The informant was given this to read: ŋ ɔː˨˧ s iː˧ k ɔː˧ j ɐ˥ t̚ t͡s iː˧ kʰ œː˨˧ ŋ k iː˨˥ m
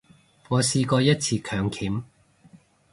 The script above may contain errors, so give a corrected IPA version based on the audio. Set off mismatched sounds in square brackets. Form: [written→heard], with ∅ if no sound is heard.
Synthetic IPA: ŋ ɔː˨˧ s iː˧ k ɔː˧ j ɐ˥ t̚ [t͡s→t͡sʰ] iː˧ kʰ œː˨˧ ŋ [k→kʰ] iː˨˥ m